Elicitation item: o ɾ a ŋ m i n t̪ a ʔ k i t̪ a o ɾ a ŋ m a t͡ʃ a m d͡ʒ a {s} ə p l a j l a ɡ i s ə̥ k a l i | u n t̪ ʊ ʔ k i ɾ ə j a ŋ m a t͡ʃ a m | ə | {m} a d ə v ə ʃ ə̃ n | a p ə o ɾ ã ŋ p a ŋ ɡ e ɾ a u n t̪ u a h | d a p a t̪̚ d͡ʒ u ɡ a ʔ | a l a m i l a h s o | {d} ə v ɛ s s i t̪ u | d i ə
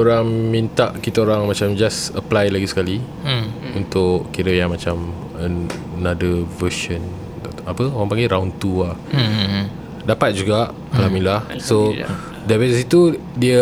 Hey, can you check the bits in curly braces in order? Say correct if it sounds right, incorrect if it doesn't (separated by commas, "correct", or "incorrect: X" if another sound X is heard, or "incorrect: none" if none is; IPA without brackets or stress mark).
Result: correct, incorrect: n, correct